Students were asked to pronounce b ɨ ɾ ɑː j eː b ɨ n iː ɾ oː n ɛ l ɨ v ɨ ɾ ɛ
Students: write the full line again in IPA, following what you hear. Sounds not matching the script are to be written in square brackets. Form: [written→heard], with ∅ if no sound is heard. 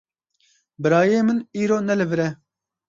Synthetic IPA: b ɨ ɾ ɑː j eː [b→m] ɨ n iː ɾ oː n ɛ l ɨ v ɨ ɾ ɛ